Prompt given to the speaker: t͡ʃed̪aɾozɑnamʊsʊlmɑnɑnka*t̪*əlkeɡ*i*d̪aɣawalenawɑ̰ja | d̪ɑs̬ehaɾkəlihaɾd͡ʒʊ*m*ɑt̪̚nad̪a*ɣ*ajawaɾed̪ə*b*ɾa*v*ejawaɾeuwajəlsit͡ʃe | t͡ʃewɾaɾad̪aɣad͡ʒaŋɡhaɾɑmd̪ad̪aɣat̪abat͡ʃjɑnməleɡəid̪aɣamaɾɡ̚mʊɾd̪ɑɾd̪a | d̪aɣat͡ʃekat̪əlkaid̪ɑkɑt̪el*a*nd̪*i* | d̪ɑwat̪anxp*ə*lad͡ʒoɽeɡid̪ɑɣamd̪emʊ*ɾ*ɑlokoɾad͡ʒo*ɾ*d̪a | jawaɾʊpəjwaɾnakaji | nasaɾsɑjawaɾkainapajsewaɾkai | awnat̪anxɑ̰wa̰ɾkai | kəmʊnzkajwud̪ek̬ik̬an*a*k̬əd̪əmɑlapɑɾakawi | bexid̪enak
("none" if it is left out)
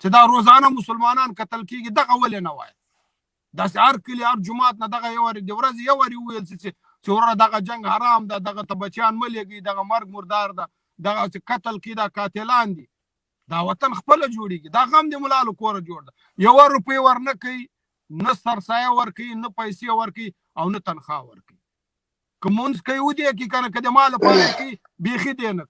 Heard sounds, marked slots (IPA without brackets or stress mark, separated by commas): t̪, i, m, ɣ, w, z, ɑ, i, ə, l, ɽ, a